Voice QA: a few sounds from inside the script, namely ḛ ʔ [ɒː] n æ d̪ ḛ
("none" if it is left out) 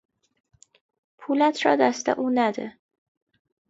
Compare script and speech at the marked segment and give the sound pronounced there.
uː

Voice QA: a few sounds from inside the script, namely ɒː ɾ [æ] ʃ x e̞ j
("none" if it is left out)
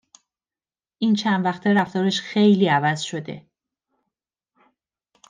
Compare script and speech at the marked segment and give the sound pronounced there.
e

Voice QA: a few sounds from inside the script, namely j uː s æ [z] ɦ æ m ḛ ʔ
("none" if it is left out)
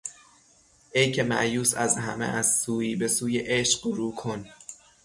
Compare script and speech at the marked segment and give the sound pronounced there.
z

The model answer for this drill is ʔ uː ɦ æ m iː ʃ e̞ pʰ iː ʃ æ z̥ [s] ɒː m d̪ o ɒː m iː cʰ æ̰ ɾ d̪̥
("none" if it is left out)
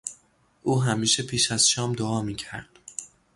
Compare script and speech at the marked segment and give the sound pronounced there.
ʃ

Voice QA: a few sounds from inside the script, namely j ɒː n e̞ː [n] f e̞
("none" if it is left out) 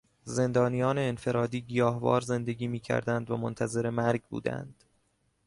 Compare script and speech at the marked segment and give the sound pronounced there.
n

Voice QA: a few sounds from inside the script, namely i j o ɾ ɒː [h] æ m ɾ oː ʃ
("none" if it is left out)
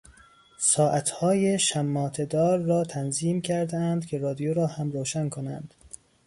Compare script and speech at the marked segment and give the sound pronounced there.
h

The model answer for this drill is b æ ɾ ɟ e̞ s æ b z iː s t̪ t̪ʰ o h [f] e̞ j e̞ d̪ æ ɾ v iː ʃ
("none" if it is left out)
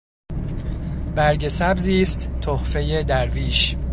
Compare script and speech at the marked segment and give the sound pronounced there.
f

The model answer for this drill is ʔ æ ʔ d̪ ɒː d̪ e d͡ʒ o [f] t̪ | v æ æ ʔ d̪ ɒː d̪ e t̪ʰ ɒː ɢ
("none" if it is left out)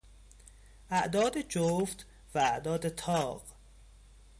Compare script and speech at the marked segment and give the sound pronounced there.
f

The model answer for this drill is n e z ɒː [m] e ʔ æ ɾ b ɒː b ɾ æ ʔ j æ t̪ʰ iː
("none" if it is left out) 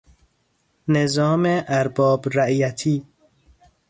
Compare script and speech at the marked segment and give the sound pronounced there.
m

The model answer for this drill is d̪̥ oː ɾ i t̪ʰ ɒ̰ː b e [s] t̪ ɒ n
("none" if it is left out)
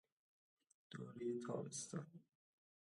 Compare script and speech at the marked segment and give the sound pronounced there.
s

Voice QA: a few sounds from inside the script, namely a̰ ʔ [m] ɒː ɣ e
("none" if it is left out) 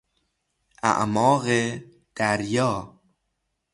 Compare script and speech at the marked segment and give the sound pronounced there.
m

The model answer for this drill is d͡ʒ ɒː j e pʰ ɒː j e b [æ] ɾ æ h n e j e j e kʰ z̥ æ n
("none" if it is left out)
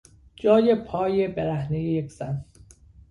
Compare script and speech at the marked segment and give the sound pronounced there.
e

